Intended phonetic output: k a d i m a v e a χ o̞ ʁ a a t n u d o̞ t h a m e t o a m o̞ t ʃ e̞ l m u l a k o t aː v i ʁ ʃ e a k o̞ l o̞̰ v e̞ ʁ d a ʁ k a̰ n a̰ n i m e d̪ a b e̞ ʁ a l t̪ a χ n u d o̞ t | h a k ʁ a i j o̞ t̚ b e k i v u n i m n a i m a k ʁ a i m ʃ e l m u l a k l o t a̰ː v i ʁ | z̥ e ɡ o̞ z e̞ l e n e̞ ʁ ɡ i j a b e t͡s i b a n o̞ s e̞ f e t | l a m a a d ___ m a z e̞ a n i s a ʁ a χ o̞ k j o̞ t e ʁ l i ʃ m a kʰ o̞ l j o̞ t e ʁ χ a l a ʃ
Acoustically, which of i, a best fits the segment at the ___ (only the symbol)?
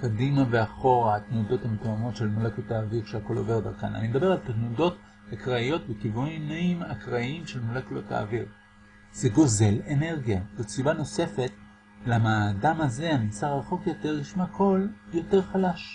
a